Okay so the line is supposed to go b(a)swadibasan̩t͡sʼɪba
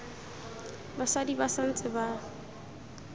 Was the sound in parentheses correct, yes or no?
yes